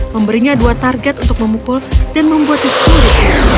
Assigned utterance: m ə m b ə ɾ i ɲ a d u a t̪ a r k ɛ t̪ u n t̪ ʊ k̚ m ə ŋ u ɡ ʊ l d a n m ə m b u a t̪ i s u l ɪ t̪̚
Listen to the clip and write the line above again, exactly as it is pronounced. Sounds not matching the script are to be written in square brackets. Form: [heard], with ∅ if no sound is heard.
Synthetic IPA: m ə m b ə ɾ i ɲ a d u a t̪ a r [ɡ] ɛ t̪ u n t̪ ʊ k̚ m ə [m] u [k] ʊ l d a n m ə m b u a t̪ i s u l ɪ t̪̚

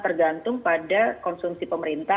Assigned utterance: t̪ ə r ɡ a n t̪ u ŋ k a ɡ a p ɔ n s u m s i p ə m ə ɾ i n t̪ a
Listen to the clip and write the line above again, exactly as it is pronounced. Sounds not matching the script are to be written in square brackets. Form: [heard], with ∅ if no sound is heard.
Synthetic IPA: t̪ ə r ɡ a n t̪ [ʊ] ŋ [p] a [d] a [k] ɔ n s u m s i p ə m ə ɾ i n t̪ a

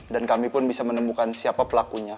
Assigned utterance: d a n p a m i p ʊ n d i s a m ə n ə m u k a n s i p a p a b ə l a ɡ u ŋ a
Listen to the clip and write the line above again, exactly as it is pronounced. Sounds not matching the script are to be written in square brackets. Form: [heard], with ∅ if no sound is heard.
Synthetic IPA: d a n [k] a m i p ʊ n [b] i s a m ə n ə m u k a n s i [∅] a p a [p] ə l a [k] u [ɲ] a

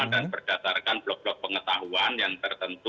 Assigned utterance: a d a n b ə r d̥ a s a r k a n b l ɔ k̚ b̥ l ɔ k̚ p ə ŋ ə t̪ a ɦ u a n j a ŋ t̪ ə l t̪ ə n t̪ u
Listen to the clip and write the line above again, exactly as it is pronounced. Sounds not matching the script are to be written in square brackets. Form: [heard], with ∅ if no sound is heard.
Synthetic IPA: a d a n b ə r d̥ a s a r k a n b l ɔ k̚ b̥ l ɔ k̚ p ə ŋ ə t̪ a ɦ u a n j a ŋ t̪ ə [r] t̪ ə n t̪ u

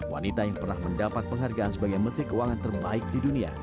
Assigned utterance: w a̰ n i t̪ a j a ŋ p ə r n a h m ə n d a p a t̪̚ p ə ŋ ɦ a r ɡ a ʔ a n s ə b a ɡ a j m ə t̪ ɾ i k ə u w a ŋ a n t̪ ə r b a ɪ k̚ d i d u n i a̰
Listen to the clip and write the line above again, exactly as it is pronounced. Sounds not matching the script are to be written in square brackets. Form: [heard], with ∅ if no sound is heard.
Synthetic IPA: w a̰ n i t̪ a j a ŋ p ə r n a h m ə n d a p a t̪̚ p ə ŋ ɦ a r ɡ a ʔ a n s ə b a ɡ a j m ə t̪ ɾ i k ə u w a ŋ a n t̪ ə r b a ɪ k̚ d i d u n i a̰

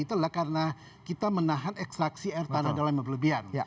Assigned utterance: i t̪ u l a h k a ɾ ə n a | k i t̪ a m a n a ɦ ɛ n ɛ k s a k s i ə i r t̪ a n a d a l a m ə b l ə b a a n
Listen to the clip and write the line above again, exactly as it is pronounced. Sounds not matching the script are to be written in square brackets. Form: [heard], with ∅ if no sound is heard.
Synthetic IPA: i t̪ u l a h k a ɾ ə n a | k i t̪ a m [ə] n a ɦ [a] n ɛ k s a k s i [a] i r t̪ a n a d a l a m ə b l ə b [i] a n

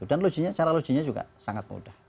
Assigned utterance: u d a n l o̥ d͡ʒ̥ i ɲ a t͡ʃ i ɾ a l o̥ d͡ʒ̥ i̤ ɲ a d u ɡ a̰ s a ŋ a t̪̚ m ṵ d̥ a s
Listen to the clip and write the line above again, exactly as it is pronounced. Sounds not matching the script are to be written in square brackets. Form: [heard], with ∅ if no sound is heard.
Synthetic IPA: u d a n l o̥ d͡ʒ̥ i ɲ a t͡ʃ [a] ɾ a l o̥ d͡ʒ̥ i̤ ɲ a [d͡ʒ] u ɡ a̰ s a ŋ a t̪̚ m ṵ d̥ a [h]

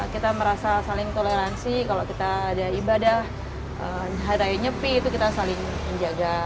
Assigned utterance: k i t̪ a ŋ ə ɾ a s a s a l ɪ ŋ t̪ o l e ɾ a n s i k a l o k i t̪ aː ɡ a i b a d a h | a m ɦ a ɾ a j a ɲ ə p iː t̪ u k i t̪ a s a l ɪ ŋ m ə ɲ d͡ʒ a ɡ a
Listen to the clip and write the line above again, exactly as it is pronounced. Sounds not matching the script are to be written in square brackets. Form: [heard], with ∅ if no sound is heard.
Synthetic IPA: k i t̪ a [m] ə ɾ a s a s a l ɪ ŋ t̪ o l e ɾ a n s i k a l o k i t̪ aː [d] a i b a d a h | [ə] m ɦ a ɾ a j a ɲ ə p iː t̪ u k i t̪ a s a l ɪ ŋ m ə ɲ d͡ʒ a ɡ a

